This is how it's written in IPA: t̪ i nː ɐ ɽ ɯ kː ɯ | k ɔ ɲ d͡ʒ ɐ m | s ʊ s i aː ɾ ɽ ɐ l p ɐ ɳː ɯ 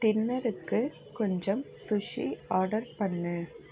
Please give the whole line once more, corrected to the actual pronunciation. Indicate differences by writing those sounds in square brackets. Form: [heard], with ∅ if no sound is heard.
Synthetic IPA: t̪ [ɪ] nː ɐ [ɾ] ɯ kː ɯ | k ɔ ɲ d͡ʒ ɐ m | s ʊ [ʂ] i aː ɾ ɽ ɐ [ɾ] p ɐ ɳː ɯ